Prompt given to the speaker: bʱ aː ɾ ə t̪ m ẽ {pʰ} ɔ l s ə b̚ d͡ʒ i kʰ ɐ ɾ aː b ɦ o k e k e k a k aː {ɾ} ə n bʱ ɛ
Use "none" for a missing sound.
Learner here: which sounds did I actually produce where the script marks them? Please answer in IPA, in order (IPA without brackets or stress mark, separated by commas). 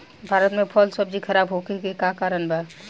pʰ, ɾ